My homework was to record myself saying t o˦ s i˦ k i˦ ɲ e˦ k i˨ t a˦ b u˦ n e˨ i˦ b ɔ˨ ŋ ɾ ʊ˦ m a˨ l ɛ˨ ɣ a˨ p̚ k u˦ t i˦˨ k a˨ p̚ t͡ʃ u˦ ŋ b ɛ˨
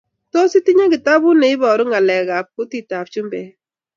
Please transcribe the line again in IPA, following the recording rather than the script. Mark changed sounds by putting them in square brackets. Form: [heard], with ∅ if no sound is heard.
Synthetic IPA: t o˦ s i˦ [t] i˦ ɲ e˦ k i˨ t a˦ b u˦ n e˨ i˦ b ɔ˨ [∅] ɾ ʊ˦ [ŋ] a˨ l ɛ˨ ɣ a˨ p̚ k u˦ t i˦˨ [t] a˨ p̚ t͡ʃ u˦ [m] b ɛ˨

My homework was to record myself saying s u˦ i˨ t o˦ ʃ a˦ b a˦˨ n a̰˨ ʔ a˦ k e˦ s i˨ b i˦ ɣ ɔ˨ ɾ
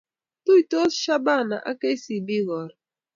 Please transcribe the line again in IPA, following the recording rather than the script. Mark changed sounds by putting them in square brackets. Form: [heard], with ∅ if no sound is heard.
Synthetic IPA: [t] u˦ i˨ t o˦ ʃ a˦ b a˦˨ n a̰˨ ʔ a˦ k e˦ s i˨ b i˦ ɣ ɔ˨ ɾ

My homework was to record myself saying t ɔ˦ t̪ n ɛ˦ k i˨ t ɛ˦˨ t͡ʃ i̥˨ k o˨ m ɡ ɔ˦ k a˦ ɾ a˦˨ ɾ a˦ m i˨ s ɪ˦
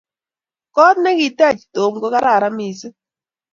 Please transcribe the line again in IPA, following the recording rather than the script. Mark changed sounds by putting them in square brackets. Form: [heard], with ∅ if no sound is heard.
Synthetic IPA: [k] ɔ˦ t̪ n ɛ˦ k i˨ t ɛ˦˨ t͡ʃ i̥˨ [t] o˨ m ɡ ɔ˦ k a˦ ɾ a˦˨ ɾ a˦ m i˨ s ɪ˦

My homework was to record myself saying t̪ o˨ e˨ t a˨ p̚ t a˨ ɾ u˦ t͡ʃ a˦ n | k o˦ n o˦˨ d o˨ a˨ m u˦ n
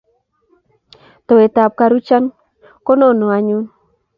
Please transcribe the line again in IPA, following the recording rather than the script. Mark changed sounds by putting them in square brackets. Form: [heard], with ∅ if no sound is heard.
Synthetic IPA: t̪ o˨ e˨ t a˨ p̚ [k] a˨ ɾ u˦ t͡ʃ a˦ n | k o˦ n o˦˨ [n] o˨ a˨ [ɲ] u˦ n

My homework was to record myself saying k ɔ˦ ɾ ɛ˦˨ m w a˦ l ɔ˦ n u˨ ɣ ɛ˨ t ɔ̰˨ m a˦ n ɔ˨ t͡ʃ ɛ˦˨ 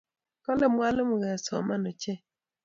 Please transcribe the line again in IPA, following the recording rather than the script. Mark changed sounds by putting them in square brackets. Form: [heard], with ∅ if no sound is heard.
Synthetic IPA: k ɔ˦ [l] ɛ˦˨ m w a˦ l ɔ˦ [m] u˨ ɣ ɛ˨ [s] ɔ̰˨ m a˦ n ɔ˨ t͡ʃ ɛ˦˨

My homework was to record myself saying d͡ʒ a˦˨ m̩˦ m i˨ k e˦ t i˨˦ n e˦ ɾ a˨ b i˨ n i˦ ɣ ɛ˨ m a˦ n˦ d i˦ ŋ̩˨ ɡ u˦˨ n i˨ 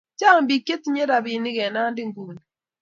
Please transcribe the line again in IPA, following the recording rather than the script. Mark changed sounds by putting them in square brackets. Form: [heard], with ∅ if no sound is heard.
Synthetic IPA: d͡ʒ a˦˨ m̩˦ [b] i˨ k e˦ t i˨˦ [ɲ] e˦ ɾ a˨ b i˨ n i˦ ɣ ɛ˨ [n] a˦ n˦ d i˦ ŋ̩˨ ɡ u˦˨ n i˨

